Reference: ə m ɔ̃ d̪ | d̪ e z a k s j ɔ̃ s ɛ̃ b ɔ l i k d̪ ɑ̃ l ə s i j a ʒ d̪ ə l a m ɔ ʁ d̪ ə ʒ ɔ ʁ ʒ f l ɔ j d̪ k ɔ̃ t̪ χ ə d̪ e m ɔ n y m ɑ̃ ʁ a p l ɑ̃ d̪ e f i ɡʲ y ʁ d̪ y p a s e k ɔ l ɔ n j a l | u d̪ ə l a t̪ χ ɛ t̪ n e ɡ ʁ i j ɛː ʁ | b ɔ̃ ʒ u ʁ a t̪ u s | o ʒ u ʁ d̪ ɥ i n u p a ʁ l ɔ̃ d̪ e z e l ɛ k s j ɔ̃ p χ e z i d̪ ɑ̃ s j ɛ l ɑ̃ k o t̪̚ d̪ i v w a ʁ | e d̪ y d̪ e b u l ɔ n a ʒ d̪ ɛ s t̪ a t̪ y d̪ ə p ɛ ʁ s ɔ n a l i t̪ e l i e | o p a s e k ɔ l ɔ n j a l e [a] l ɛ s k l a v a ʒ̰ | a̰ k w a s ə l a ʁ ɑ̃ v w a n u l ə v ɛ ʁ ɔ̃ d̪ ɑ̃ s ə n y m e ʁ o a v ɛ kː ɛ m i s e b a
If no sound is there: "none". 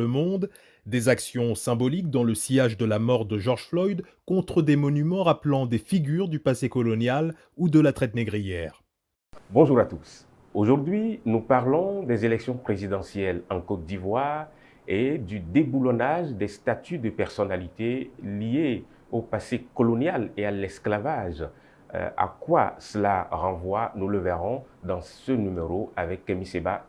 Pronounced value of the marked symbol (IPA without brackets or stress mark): a